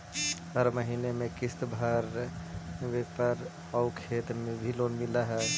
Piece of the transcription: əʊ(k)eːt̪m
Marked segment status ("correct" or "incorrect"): incorrect